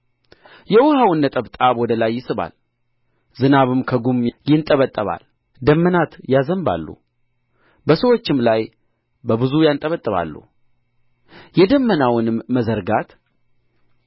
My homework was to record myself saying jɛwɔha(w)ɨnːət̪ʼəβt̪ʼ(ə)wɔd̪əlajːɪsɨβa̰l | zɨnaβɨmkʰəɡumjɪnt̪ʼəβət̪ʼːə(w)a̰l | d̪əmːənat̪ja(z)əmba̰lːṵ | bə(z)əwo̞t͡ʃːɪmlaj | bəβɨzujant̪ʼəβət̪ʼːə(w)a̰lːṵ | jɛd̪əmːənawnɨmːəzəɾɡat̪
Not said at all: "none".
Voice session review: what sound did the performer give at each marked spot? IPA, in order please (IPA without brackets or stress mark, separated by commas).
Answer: w, a, β, z, s, β